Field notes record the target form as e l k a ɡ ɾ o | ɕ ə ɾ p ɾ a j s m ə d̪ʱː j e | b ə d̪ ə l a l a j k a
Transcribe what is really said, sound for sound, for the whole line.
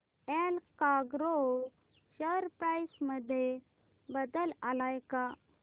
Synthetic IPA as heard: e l k a ɡ ɾ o | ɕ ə ɾ p ɾ a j s m ə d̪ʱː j e | b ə d̪ ə l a l a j k a

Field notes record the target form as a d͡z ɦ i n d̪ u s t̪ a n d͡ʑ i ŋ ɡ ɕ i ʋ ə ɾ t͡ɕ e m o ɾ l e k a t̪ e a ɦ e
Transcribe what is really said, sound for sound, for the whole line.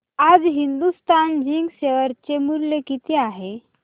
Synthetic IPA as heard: a d͡z ɦ i n d̪ u s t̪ a n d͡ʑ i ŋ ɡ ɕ e ʋ ə ɾ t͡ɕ e m u ɾ l e k i t̪ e a ɦ e

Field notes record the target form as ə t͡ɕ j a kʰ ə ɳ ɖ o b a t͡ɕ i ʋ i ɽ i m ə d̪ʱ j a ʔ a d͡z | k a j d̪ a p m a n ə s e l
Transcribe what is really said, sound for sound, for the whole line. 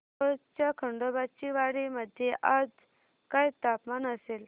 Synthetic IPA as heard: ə t͡ɕ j a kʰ ə ɳ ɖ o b a t͡ɕ i ʋ a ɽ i m ə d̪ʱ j e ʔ a d͡z | k a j t̪ a p m a n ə s e l

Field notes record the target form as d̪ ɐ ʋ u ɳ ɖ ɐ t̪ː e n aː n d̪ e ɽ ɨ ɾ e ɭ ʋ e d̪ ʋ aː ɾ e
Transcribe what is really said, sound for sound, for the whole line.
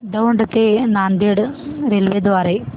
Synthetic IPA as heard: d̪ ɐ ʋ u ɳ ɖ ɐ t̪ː e n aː n d̪ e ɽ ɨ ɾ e l ʋ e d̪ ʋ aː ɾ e

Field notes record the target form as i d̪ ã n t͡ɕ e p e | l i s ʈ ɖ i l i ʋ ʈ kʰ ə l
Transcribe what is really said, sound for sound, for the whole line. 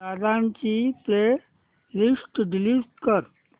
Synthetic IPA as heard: a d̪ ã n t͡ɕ i p e | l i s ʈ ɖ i l i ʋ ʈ k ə ɾ

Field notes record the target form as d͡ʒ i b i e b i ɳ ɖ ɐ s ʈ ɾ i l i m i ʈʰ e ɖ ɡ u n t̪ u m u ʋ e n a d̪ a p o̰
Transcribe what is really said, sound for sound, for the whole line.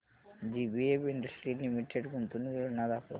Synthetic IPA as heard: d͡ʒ i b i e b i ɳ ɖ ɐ s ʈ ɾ i l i m i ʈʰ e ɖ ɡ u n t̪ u n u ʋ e n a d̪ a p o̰

